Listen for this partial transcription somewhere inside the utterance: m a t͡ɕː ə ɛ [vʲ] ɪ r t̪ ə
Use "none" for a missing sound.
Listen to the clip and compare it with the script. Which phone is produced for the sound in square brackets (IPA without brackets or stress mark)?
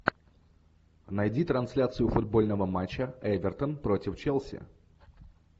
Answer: vʲ